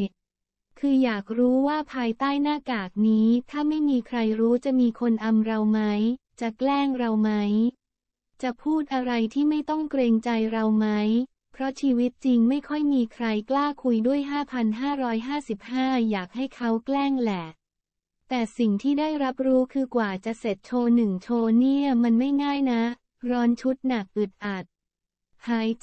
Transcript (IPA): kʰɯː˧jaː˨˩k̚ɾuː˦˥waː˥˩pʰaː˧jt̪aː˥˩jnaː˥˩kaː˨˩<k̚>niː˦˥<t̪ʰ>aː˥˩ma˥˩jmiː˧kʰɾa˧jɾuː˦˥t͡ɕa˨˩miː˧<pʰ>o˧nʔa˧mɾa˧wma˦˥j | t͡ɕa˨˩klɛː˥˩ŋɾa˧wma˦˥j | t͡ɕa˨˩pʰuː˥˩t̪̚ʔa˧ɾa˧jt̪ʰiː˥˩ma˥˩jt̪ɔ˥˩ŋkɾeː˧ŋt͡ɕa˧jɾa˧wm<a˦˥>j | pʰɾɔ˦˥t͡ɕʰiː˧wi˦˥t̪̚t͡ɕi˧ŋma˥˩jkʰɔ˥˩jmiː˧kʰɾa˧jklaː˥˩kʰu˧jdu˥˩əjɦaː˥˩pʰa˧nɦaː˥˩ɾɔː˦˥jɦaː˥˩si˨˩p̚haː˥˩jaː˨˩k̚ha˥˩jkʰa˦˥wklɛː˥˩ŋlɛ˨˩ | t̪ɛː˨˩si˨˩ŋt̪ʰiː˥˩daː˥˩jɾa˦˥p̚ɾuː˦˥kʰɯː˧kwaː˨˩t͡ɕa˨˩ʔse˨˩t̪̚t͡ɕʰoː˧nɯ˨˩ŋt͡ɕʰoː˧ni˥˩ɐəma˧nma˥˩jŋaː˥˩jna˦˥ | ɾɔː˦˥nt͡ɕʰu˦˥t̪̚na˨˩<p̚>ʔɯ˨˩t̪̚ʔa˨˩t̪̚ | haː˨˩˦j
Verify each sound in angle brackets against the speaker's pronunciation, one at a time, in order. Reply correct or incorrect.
correct, correct, incorrect: kʰ, correct, incorrect: k̚

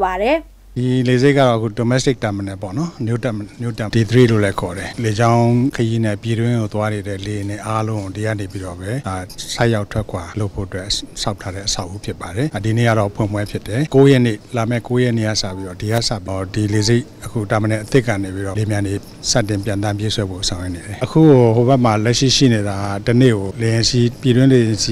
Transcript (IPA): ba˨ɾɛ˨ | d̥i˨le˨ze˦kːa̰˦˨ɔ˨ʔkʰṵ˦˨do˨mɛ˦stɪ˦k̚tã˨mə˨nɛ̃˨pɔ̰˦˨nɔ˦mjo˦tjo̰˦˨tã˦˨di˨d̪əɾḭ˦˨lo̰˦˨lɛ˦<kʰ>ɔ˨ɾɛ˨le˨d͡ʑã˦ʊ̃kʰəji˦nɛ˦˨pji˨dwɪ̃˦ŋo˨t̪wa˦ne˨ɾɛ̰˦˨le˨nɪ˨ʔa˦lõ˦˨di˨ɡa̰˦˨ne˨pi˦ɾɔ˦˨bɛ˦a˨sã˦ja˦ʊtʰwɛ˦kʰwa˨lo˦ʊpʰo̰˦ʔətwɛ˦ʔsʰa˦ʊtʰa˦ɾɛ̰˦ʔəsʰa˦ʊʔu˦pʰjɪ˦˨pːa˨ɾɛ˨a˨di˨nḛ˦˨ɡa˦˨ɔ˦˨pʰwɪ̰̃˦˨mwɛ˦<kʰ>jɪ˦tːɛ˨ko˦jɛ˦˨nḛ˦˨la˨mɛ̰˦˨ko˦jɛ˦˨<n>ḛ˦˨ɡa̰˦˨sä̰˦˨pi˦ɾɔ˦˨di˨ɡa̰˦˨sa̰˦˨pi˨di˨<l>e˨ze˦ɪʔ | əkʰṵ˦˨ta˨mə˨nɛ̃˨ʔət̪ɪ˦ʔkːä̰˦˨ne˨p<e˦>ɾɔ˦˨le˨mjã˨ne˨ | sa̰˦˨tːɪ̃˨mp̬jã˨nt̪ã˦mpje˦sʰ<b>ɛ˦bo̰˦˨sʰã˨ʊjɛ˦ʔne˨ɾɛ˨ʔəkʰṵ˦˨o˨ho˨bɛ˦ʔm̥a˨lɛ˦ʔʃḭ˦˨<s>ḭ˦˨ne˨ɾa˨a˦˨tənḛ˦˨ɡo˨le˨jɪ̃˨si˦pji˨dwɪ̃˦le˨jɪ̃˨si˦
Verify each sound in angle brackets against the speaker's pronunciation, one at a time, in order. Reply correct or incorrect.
correct, incorrect: pʰ, correct, correct, incorrect: i˦, incorrect: w, incorrect: ʃ

